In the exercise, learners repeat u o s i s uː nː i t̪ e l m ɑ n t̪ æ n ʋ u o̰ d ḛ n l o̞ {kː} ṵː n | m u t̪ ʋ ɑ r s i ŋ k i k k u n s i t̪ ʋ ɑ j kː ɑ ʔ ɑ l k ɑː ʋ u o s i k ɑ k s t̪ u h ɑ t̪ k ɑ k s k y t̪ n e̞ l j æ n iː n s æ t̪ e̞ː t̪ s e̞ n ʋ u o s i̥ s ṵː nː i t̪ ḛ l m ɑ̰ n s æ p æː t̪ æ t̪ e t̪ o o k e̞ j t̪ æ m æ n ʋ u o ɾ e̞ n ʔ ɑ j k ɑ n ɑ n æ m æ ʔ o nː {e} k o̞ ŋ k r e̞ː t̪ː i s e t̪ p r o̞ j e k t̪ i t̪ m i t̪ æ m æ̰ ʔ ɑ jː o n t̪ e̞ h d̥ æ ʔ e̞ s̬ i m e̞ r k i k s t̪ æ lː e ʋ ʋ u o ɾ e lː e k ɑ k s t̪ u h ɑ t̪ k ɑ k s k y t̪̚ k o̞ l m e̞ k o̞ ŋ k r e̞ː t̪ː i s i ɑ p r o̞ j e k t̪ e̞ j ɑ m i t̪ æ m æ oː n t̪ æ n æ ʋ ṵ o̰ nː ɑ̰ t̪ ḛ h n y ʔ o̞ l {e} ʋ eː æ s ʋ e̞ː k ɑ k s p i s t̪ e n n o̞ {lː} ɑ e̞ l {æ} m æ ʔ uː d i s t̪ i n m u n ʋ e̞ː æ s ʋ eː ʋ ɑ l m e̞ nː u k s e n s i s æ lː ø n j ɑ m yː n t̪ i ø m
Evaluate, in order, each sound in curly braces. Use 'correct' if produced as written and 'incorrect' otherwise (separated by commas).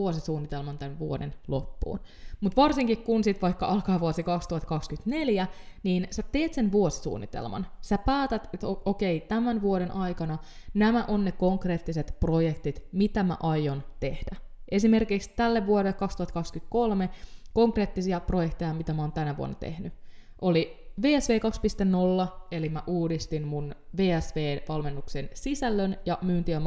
incorrect, correct, incorrect, correct, incorrect